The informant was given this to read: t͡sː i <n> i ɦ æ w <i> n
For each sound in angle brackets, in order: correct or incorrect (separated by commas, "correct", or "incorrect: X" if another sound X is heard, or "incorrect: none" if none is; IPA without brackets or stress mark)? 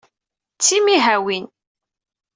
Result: incorrect: m, correct